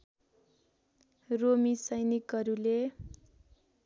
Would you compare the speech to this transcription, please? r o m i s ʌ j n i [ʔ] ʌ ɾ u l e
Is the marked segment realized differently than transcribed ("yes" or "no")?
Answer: yes